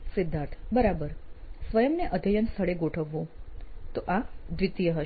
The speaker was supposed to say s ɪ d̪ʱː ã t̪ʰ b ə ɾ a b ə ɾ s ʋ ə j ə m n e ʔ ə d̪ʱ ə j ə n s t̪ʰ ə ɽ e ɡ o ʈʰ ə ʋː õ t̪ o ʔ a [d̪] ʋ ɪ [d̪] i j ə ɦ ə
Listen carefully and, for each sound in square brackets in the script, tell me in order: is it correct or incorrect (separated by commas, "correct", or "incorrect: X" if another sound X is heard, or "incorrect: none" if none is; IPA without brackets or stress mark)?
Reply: correct, incorrect: t̪